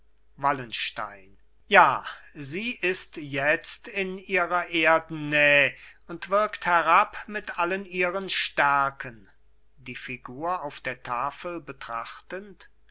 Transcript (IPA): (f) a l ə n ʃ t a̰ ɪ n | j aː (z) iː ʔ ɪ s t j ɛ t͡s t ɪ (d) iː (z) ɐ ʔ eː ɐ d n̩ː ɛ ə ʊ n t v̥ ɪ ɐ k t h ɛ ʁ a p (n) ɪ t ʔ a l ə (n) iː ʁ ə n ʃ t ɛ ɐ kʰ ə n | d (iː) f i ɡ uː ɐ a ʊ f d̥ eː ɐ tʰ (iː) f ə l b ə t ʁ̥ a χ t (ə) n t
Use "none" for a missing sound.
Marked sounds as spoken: v, z, n, ʁ, m, n, iː, aː, ə

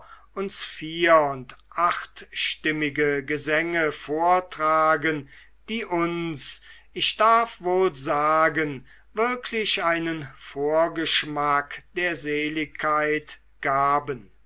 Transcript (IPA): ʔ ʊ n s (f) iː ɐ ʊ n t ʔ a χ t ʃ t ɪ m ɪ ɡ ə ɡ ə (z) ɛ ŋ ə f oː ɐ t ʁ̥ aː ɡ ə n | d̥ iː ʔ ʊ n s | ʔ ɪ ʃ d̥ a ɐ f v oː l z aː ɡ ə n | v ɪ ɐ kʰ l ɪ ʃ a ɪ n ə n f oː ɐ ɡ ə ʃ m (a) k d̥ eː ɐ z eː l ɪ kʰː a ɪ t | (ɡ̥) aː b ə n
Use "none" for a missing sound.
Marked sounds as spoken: f, z, a, ɡ̥

